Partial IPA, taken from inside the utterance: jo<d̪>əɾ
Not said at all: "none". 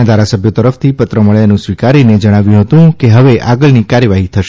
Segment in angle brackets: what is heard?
t̪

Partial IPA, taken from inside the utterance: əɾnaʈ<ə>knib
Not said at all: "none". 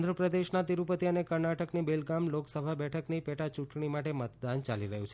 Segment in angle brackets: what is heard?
ə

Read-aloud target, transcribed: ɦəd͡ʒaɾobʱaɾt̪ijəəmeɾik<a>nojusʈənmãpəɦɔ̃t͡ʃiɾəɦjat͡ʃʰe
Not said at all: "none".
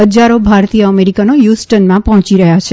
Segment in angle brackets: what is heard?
a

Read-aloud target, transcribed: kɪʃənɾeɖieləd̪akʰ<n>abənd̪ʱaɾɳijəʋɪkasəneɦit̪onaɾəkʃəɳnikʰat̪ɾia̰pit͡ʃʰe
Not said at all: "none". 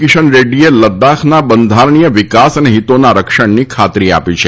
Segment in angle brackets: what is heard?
n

